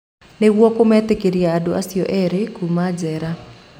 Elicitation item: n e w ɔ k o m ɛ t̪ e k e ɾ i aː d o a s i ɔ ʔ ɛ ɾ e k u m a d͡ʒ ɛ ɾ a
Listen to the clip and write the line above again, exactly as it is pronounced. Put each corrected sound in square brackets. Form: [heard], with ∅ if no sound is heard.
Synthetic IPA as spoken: n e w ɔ k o m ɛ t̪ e k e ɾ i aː d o a s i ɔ ʔ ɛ ɾ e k u m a d͡ʒ ɛ ɾ a